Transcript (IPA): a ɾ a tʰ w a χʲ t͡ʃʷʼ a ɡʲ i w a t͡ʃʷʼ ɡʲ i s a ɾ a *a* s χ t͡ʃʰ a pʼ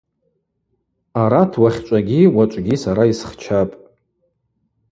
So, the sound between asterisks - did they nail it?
no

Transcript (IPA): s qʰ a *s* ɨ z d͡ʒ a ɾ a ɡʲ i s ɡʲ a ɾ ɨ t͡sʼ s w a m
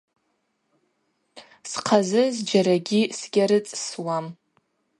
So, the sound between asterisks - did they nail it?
no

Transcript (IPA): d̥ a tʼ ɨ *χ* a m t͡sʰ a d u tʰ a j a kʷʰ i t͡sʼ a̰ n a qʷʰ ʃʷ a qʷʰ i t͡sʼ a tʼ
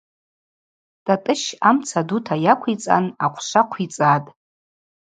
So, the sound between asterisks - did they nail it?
no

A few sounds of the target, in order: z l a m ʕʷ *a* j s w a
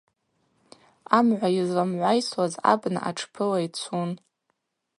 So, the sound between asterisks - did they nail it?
yes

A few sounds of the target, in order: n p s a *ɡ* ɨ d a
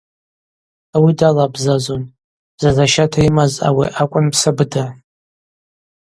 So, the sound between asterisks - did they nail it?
no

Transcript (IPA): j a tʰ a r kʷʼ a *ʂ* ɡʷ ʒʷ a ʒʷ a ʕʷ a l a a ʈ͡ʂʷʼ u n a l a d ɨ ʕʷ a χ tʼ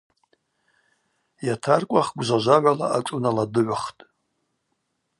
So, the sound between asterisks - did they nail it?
no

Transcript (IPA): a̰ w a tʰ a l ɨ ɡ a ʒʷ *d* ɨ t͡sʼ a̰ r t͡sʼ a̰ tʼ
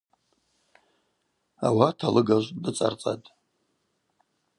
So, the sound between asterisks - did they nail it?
yes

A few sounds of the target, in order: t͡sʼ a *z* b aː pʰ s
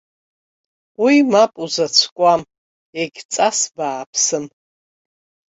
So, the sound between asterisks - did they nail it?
no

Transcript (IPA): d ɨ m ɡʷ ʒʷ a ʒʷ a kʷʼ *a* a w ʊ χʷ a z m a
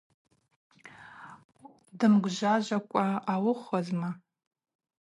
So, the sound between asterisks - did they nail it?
yes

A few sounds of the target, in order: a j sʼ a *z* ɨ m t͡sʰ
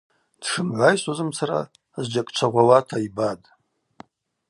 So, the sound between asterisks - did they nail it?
yes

